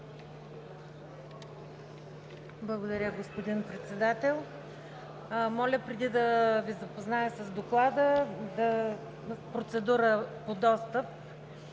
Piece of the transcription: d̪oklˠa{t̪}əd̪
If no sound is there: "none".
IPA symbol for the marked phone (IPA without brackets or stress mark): d̪